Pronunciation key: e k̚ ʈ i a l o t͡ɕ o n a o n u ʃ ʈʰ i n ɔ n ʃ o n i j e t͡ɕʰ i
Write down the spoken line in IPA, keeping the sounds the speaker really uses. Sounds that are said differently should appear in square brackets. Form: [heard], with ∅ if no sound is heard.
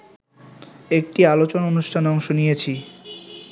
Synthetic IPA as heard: e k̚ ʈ i a l o t͡ɕ o n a o n u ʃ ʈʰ [a] n ɔ [ŋ] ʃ o n i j e t͡ɕʰ i